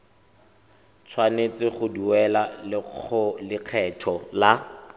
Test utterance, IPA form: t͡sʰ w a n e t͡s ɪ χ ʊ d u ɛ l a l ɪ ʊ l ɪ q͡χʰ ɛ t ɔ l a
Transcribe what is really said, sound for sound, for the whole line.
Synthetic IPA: t͡sʰ w a n e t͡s ɪ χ ʊ d u ɛ l a l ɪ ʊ l ɪ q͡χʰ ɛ tʰ ɔ l a